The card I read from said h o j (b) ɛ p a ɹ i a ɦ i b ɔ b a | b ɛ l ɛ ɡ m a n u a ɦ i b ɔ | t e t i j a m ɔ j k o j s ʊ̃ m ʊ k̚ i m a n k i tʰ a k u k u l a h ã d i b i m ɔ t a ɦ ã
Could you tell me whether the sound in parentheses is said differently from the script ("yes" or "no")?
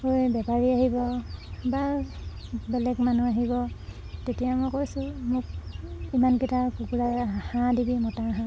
no